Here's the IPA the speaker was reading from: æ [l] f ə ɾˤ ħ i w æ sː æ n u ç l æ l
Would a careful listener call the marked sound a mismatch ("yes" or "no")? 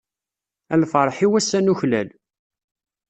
no